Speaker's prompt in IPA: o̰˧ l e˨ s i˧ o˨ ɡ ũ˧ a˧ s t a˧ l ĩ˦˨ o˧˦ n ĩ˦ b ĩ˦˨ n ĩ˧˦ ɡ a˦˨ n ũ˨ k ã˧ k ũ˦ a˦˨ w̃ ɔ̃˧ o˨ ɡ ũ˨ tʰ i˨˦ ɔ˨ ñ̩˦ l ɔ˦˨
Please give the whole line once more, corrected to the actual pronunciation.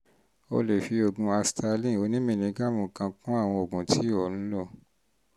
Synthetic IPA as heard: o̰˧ l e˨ f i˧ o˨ ɡ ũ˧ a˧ s t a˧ l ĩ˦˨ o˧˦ n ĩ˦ m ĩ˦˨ n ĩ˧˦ ɡ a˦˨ m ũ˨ k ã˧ k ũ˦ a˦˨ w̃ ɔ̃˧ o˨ ɡ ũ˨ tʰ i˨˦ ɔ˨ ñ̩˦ l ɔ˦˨